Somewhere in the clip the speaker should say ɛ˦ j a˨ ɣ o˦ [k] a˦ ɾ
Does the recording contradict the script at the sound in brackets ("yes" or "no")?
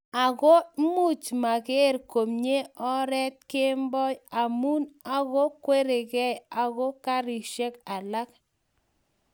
no